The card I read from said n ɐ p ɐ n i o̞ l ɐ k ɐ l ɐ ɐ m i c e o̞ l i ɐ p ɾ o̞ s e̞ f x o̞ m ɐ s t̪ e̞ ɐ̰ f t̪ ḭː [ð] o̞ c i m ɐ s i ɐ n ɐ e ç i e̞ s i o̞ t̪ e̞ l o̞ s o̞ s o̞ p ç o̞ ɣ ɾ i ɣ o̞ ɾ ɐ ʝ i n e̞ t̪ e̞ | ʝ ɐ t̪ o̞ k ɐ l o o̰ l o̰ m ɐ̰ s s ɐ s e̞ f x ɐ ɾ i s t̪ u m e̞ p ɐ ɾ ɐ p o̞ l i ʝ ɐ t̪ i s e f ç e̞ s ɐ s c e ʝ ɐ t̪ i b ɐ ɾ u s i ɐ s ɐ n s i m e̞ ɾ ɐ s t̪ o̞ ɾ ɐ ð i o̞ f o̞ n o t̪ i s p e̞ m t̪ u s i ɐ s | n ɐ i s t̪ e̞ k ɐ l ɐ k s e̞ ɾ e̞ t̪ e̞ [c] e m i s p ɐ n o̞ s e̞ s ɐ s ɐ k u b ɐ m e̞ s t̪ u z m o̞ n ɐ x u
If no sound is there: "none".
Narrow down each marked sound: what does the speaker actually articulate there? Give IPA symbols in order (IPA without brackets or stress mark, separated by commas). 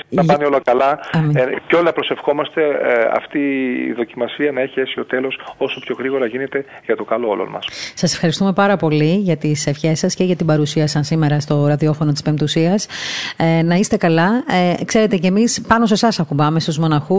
ð, c